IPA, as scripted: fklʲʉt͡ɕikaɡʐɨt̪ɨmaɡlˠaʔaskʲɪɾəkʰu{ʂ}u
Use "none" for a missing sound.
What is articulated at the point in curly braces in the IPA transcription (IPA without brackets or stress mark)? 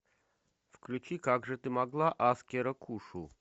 ʂ